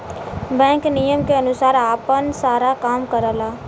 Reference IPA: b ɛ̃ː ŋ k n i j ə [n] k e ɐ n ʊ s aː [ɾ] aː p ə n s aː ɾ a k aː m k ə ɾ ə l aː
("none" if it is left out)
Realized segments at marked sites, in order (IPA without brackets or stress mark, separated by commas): m, ɾ